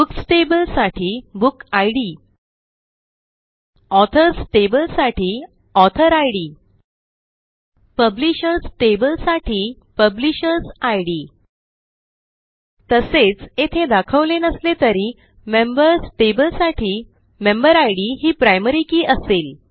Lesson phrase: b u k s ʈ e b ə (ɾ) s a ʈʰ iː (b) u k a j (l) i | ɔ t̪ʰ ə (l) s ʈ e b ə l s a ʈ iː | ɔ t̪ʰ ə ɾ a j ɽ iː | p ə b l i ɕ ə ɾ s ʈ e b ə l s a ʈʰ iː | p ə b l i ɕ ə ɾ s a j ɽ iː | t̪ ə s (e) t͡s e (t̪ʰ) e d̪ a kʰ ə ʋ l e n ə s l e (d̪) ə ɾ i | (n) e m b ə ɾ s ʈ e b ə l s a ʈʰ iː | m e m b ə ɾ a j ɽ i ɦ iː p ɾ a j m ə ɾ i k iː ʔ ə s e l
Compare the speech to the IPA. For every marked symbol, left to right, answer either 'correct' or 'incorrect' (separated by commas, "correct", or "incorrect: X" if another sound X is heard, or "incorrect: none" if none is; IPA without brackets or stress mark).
incorrect: l, correct, incorrect: ɽ, incorrect: ɾ, correct, correct, incorrect: t̪, incorrect: m